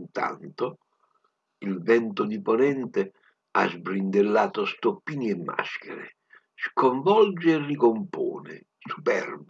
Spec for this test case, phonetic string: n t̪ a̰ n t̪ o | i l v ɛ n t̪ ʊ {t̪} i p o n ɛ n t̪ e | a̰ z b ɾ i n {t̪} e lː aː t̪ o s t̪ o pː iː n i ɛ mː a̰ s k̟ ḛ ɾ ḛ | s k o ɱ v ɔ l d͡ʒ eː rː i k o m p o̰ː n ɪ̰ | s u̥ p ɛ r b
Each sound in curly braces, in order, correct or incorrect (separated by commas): incorrect, incorrect